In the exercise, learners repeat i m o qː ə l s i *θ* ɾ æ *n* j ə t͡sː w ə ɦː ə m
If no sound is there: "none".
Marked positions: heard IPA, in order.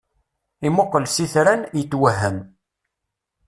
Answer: θ, n

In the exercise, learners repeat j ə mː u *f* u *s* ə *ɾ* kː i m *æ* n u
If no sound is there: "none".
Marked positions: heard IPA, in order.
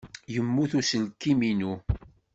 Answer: θ, s, l, i

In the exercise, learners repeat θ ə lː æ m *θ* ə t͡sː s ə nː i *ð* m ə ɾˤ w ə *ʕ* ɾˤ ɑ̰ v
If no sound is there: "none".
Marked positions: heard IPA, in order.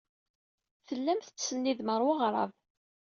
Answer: θ, ð, ʁ

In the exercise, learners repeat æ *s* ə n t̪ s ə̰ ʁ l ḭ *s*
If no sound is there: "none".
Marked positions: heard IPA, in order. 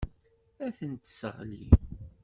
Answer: θ, none

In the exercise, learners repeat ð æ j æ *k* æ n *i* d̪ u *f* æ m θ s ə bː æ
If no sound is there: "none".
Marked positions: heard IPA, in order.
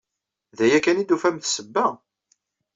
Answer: k, i, f

